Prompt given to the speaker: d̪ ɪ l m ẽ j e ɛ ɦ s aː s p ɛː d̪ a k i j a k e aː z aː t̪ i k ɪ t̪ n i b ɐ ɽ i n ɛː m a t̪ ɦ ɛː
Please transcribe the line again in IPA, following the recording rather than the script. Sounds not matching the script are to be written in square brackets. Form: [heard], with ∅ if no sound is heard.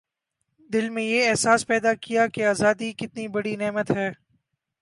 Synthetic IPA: d̪ ɪ l m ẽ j e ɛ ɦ s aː s p ɛː d̪ a k i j a k e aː z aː [d̪] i k ɪ t̪ n i b ɐ ɽ i n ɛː m [ə] t̪ ɦ ɛː